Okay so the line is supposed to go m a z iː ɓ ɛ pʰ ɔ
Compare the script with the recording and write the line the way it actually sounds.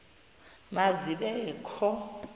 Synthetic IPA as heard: m a z i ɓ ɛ kʰ ɔ